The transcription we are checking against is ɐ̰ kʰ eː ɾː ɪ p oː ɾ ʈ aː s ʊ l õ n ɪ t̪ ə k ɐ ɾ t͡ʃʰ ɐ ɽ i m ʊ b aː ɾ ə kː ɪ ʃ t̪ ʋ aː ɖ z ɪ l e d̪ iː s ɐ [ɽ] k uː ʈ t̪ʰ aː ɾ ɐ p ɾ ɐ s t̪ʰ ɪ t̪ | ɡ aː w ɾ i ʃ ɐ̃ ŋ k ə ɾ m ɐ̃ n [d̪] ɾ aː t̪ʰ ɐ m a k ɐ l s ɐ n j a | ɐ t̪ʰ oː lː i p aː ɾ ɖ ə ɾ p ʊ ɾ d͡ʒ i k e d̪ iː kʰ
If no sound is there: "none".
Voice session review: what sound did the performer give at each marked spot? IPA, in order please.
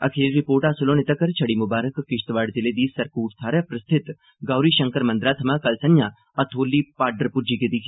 ɾ, d̪

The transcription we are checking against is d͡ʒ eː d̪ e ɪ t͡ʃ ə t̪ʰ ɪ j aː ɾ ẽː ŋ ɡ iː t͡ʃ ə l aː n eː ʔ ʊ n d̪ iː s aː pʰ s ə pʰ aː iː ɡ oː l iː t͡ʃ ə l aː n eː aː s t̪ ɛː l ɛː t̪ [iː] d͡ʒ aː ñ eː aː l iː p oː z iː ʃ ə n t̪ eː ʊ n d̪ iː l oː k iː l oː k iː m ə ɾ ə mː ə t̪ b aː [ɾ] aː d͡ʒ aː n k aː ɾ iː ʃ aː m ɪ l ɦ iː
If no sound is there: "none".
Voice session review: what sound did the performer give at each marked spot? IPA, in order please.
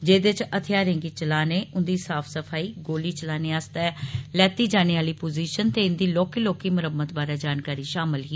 iː, ɾ

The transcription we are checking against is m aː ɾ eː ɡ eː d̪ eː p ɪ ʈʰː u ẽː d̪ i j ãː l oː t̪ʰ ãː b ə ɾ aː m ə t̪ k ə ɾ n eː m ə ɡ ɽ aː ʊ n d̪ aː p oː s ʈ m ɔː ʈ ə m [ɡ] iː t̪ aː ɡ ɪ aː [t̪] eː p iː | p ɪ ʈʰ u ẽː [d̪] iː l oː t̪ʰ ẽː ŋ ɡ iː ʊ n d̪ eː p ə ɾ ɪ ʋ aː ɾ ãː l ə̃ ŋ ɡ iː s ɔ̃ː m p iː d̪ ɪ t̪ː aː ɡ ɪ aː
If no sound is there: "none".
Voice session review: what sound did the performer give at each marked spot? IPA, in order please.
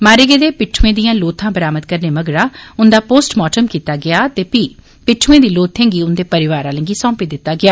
k, t̪, d̪

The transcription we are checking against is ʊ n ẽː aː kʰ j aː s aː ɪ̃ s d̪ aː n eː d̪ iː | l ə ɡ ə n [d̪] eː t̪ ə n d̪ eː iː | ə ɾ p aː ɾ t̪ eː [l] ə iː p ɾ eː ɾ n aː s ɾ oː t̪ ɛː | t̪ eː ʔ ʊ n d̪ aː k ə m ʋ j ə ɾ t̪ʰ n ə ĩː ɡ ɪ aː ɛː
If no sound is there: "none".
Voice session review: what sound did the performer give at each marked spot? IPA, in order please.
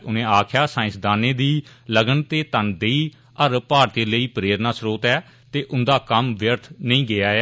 t̪, l

